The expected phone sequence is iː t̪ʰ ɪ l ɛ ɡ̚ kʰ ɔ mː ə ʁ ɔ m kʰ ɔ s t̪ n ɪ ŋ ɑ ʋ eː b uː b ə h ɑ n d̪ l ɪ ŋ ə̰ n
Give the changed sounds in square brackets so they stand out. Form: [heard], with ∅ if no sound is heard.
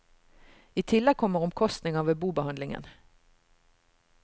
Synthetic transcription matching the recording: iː t̪ʰ ɪ l ɛ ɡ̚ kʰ ɔ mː ə ʁ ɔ m kʰ ɔ s t̪ n ɪ ŋ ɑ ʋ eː b uː b ə h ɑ n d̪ l ɪ ŋ ə̰ n